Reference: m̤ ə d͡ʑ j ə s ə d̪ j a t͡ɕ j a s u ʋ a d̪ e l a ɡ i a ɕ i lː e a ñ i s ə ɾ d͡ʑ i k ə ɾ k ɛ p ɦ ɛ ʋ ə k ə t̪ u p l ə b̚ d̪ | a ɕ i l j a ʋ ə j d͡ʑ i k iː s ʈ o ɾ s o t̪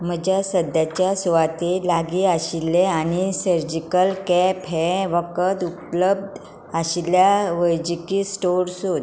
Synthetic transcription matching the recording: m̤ ə d͡ʑ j a s ə d̪ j a t͡ɕ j a s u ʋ a t̪ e l a ɡ i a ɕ i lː e a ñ i s ə ɾ d͡ʑ i k ə l k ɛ p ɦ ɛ ʋ ə k ə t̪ u p l ə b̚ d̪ | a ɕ i l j a ʋ ə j d͡ʑ i k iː s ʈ o ɾ s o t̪